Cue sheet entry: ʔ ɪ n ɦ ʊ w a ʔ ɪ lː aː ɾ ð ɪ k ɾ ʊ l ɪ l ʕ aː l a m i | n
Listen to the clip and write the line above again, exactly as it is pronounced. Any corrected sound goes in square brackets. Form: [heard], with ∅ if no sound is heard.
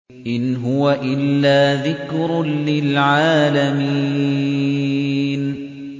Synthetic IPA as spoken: ʔ ɪ n ɦ ʊ w a ʔ ɪ lː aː [∅] ð ɪ k ɾ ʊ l ɪ l ʕ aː l a m i | n